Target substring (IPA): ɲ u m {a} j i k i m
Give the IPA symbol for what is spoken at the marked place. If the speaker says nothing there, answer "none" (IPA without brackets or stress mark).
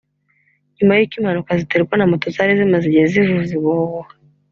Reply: a